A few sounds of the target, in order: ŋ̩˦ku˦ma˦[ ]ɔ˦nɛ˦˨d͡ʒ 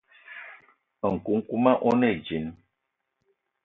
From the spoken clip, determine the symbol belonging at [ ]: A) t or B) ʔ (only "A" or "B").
B